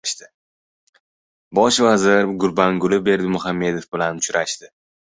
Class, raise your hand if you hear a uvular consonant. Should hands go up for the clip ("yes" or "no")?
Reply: no